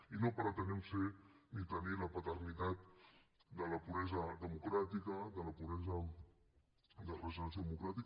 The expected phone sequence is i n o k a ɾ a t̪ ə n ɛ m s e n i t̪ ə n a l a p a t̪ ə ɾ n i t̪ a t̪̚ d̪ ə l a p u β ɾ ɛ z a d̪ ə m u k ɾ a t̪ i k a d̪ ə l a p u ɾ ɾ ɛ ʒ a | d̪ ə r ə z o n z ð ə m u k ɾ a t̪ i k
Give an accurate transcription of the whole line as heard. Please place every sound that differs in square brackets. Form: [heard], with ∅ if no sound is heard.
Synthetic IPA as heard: i n o [p] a ɾ a t̪ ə n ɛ m s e n i t̪ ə n [i] l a p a t̪ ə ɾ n i t̪ a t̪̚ d̪ ə l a p u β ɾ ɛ z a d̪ ə m u k ɾ a t̪ i k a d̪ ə l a p u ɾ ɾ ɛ [z] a | d̪ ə r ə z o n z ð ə m u k ɾ a t̪ i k